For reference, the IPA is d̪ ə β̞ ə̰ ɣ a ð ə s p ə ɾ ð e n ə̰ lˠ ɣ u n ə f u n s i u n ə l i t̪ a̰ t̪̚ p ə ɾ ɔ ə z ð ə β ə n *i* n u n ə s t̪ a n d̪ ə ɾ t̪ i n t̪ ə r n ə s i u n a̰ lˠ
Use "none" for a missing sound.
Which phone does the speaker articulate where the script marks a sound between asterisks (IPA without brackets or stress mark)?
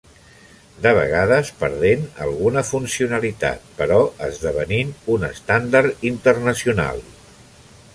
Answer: i